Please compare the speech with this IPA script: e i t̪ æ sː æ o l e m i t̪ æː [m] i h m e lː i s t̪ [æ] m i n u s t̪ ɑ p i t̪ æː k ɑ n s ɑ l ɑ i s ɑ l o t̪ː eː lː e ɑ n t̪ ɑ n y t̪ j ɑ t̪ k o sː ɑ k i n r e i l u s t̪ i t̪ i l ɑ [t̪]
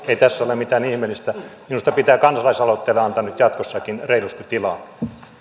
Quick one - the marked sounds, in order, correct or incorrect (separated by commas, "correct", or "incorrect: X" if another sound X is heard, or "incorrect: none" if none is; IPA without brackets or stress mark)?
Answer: incorrect: n, correct, incorrect: none